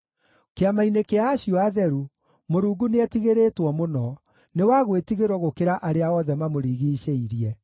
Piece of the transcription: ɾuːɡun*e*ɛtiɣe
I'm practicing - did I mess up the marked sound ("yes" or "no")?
no